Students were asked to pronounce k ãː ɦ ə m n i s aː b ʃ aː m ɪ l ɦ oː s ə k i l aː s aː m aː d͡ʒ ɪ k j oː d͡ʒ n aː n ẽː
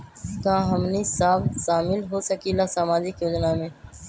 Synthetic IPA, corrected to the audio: k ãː ɦ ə m n i s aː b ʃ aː m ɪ l ɦ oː s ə k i l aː s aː m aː d͡ʒ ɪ k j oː d͡ʒ n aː m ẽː